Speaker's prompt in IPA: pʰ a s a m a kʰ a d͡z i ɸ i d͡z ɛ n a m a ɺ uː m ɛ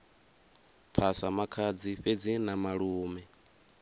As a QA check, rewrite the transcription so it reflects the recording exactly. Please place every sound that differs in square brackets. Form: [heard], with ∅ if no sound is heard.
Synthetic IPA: pʰ a s a m a kʰ a d͡z i ɸ [e] d͡z [i] n a m a ɺ uː m ɛ